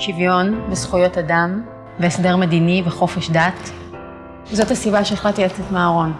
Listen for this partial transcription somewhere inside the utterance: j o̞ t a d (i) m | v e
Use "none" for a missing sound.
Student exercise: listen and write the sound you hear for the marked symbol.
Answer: a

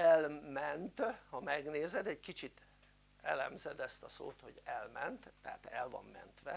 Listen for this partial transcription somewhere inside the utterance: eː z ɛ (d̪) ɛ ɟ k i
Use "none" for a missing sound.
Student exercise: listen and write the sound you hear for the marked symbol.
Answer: d̪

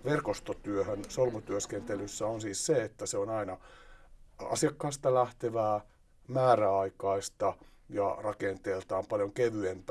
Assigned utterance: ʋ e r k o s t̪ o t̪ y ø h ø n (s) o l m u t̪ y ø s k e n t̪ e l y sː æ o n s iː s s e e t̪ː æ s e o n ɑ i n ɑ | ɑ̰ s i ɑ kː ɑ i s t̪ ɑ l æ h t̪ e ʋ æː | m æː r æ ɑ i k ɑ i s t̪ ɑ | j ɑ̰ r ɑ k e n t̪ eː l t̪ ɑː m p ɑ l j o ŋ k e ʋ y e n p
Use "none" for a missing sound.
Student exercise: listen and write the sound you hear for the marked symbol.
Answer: s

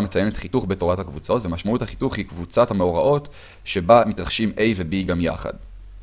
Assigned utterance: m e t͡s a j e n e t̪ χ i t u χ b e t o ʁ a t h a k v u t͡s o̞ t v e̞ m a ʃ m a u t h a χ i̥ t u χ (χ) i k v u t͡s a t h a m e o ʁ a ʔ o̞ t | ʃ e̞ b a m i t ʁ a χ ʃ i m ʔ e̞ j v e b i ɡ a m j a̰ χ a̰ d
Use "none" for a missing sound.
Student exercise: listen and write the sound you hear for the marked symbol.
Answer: h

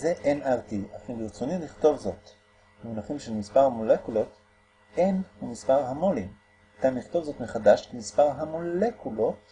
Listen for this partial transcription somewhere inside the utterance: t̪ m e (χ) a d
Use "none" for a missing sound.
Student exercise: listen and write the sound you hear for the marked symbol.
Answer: χ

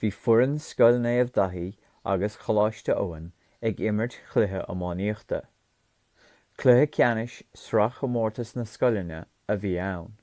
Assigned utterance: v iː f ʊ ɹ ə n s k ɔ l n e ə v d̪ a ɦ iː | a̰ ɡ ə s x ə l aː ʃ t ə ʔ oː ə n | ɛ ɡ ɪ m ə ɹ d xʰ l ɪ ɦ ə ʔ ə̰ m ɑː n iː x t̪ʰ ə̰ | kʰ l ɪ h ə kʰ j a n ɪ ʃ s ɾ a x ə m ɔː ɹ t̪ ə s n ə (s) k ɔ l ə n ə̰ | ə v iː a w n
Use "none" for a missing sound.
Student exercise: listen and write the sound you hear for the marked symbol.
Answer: s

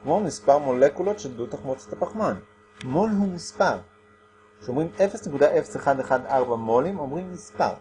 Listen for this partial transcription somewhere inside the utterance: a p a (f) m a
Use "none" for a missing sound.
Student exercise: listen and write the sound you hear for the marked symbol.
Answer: χ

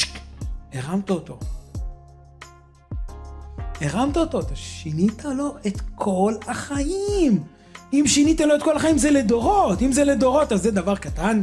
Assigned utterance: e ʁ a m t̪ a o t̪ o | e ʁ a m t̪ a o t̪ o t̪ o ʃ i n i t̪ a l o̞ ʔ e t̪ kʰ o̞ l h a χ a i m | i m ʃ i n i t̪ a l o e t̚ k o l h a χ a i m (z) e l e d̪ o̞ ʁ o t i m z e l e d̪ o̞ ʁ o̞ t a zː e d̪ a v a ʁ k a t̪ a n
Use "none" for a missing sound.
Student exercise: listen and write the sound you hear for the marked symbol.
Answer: z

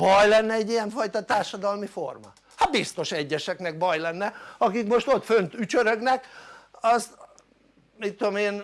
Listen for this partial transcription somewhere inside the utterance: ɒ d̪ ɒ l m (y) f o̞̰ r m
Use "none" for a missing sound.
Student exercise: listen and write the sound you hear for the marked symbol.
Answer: i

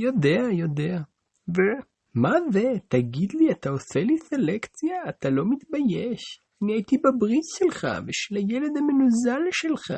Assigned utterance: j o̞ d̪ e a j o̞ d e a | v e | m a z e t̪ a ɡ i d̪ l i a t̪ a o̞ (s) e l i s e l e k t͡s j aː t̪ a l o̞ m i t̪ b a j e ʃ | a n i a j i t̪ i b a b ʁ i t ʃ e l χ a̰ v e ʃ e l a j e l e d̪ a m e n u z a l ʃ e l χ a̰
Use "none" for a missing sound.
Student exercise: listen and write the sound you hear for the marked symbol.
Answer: s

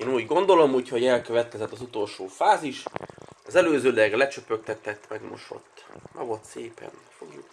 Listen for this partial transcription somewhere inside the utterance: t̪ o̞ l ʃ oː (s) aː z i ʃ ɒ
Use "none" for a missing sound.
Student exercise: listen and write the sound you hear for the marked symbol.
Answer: f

